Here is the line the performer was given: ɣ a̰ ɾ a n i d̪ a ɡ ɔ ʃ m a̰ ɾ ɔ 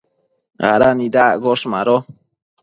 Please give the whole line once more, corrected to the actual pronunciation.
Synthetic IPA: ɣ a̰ ɾ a n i d̪ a ɡ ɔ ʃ m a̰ ɾ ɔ